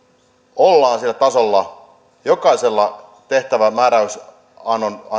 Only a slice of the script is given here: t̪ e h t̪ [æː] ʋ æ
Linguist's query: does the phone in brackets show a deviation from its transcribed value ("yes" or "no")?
yes